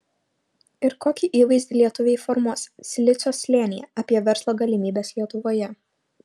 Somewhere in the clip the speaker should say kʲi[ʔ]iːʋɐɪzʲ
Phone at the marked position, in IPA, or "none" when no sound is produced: ʔ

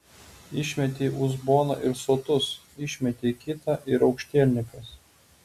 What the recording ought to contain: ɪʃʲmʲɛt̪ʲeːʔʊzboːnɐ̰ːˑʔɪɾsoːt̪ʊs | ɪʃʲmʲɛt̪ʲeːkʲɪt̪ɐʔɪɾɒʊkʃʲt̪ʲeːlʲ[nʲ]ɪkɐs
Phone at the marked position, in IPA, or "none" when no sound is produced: nʲ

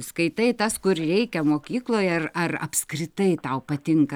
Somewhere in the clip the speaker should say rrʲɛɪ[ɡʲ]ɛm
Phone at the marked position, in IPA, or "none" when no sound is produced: kʲ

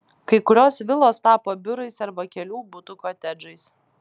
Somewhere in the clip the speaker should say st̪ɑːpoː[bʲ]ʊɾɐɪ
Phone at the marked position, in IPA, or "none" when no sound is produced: bʲ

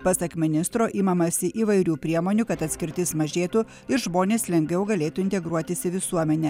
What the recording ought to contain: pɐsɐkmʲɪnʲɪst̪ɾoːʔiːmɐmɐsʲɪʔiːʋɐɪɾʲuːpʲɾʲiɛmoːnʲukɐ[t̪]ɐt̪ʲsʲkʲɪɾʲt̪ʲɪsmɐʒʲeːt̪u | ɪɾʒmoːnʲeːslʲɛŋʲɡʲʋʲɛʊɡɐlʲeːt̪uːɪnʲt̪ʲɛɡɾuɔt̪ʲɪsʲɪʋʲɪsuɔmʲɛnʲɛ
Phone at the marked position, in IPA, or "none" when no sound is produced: t̪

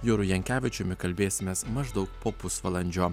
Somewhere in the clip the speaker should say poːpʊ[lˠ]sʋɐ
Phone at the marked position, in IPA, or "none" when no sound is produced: none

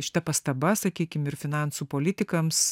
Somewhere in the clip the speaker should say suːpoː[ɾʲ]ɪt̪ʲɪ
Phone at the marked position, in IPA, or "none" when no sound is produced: lʲ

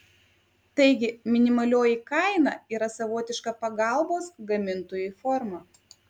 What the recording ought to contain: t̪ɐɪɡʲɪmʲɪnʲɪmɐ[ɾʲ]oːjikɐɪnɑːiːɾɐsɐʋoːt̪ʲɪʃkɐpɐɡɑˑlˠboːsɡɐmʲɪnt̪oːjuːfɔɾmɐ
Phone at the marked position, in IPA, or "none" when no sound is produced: lʲ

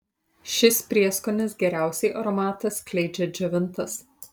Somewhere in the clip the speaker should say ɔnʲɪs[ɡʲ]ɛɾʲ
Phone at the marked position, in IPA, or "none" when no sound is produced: ɡʲ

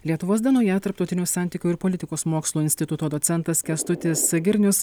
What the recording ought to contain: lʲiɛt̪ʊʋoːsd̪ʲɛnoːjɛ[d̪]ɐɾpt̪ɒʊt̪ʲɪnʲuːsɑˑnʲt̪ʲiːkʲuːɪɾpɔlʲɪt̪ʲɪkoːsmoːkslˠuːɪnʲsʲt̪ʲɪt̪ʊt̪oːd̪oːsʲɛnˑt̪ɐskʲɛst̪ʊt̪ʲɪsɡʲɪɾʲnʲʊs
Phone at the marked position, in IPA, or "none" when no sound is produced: t̪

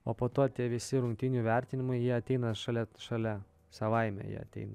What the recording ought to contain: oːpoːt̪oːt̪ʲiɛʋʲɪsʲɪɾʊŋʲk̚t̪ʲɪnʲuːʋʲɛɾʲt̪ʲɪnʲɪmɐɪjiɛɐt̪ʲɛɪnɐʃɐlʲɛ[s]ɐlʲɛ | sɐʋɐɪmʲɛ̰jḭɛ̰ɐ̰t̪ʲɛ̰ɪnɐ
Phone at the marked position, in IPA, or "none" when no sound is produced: ʃ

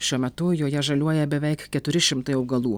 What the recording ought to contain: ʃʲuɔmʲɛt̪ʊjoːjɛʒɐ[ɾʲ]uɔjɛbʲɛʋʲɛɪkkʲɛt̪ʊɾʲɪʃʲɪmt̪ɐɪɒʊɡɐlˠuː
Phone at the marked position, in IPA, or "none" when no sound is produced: lʲ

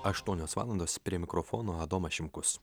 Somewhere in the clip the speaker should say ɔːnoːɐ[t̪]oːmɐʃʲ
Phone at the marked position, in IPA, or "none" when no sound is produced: d̪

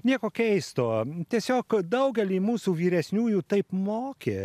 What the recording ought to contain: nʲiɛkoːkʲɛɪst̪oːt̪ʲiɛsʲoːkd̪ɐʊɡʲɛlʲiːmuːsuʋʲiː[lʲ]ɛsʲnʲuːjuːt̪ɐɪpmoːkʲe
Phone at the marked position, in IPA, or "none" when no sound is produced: ɾʲ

